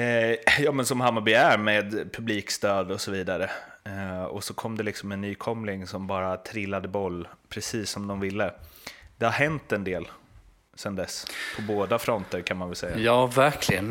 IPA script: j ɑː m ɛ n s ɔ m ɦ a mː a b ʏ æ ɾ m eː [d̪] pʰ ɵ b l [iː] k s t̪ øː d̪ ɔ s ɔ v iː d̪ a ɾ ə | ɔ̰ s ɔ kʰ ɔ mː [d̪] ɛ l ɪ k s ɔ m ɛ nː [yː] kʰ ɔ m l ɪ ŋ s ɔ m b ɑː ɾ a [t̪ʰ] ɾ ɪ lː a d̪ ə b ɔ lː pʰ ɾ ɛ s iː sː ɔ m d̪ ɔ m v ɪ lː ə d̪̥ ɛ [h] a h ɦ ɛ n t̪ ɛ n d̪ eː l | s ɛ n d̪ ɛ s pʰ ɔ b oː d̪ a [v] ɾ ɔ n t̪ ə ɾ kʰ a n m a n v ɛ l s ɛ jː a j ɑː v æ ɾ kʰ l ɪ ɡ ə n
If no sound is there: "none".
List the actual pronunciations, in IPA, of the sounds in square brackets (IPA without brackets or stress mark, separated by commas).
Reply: d̪, iː, d̪, yː, t̪ʰ, h, f